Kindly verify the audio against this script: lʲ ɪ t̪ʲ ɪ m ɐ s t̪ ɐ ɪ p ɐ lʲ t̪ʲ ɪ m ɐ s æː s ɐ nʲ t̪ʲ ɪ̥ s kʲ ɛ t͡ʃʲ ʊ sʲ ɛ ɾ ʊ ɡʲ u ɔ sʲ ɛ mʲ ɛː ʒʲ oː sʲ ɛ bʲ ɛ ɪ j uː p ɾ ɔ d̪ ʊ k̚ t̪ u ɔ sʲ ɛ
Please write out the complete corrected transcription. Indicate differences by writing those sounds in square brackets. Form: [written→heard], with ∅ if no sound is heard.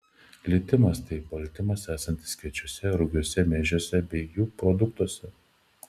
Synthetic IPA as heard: lʲ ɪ t̪ʲ ɪ m ɐ s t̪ ɐ ɪ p ɐ lʲ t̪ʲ ɪ m ɐ s æː s ɐ nʲ t̪ʲ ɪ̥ s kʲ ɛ t͡ʃʲ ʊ sʲ ɛ ɾ ʊ ɡʲ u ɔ sʲ ɛ mʲ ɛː ʒʲ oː sʲ ɛ bʲ ɛ ɪ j uː p ɾ ɔ d̪ ʊ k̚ t̪ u ɔ sʲ ɛ